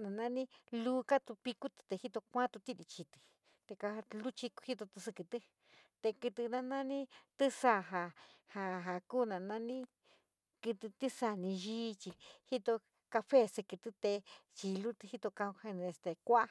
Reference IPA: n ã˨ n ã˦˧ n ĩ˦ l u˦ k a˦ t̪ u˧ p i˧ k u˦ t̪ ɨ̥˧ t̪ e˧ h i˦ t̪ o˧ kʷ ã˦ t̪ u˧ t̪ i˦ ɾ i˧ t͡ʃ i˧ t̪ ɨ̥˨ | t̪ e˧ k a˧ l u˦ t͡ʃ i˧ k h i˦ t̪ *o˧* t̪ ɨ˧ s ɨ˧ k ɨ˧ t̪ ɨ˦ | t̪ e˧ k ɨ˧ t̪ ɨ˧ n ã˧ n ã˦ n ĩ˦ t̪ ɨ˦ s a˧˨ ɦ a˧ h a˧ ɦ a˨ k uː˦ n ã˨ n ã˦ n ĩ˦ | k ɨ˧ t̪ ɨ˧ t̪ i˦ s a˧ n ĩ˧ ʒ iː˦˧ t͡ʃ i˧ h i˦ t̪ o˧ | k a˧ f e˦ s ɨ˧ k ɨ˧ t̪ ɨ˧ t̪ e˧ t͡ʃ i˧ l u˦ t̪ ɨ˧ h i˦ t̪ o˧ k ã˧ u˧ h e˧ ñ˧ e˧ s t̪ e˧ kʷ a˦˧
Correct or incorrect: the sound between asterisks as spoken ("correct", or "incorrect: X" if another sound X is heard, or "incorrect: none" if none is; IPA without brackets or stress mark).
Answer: correct